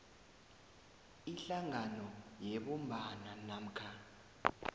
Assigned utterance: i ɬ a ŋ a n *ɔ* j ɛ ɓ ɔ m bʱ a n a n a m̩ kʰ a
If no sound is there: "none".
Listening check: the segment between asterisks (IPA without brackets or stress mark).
ɔ